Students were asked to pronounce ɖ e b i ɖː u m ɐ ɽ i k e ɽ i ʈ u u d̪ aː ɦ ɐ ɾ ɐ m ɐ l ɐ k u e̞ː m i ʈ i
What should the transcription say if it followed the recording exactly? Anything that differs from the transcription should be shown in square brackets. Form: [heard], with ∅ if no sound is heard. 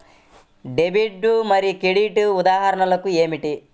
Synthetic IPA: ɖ e b i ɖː u m ɐ [ɾ] i k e ɽ i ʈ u u d̪ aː ɦ ɐ ɾ ɐ [ɳ] ɐ l ɐ k u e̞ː m i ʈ i